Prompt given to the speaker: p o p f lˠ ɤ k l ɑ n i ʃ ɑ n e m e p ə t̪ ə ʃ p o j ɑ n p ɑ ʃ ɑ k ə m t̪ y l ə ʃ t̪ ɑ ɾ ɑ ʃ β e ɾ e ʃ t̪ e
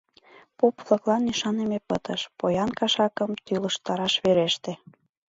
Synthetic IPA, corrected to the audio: p o p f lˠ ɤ k l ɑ n i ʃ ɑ n e m e p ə t̪ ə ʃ p o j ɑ n k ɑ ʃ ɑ k ə m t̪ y l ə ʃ t̪ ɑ ɾ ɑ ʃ β e ɾ e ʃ t̪ e